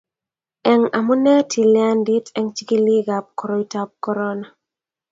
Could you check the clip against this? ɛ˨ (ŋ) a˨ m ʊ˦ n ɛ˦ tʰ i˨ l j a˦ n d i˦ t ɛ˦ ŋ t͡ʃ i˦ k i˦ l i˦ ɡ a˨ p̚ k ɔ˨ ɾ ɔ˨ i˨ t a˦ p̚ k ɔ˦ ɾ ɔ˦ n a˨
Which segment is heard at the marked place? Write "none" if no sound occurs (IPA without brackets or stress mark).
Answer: ŋ